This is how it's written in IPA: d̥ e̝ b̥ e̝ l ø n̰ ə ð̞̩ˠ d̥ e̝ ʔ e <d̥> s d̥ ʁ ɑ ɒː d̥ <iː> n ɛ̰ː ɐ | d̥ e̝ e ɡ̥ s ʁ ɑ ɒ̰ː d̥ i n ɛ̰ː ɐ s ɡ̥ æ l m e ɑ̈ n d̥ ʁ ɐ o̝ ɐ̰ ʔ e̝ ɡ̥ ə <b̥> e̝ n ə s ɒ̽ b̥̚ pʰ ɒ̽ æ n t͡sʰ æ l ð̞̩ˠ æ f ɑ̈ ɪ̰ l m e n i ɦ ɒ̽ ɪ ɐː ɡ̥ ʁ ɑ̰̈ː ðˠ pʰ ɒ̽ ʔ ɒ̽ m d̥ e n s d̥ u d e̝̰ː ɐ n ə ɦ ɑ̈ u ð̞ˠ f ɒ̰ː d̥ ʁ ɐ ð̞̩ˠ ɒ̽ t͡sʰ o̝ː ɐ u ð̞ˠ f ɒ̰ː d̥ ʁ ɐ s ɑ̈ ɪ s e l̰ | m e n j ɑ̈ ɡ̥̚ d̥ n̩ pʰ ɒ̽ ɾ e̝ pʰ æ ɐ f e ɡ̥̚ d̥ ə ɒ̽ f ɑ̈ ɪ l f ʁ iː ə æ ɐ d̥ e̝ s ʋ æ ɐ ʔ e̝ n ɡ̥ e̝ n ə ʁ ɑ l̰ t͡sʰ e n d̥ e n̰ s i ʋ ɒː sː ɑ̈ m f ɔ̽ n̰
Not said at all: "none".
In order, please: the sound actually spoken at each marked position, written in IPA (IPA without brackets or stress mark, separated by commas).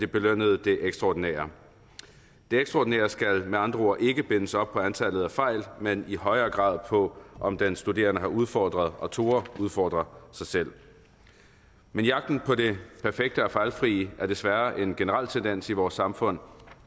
ɡ̥, i, b̥